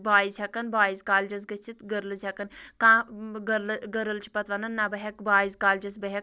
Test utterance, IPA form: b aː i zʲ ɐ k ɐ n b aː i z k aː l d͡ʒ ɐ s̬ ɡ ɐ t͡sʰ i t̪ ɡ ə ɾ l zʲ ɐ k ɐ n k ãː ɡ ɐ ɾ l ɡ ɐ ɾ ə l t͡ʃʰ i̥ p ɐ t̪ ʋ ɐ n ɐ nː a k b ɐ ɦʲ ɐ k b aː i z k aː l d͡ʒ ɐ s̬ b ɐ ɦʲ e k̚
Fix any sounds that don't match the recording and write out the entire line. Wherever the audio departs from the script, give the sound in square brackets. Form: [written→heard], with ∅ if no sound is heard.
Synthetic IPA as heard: b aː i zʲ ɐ k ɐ n b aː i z k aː l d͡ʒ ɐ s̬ ɡ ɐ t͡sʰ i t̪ ɡ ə ɾ l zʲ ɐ k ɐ n k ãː ɡ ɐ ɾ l ɡ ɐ ɾ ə l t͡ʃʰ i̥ p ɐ t̪ ʋ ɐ n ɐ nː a [k→∅] b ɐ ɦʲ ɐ k b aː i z k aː l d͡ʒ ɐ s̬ b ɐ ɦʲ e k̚